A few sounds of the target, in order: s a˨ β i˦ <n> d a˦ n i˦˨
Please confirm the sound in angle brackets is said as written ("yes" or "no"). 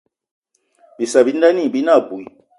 yes